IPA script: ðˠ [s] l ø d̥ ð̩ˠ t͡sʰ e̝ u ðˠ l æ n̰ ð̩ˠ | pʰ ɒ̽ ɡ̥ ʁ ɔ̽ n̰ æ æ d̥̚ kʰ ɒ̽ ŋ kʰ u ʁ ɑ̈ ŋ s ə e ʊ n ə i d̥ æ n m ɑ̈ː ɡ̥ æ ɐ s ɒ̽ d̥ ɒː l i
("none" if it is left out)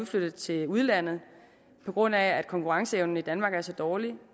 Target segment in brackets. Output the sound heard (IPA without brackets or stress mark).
f